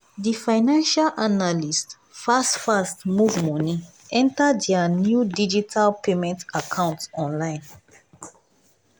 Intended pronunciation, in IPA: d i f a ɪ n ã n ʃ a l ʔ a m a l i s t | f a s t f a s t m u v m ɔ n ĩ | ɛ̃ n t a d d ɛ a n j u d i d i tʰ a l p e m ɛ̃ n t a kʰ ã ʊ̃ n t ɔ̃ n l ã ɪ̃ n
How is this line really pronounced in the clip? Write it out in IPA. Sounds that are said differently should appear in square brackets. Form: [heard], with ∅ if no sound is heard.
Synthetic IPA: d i f a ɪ n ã n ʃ a l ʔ a [n] a l i s t | f a s t f a s t m u v m ɔ n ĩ | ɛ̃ n t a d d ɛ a n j u d i [d͡ʒ] i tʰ a l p e m ɛ̃ n t a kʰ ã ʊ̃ n t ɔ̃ n l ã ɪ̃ n